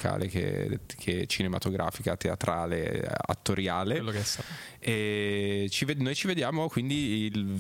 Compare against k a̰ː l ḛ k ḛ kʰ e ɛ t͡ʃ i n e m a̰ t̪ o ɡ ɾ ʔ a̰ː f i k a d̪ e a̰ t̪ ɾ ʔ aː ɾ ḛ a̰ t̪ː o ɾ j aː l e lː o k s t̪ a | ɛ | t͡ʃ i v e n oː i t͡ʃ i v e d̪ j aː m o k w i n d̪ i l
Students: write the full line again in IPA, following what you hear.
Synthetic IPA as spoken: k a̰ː l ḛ k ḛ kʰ e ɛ t͡ʃ i n e m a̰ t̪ o ɡ ɾ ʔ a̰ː f i k a t̪ e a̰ t̪ ɾ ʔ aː l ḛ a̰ t̪ː o ɾ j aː l e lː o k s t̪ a | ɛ | t͡ʃ i v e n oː j t͡ʃ i v e d̪ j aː m o k w i n d̪ i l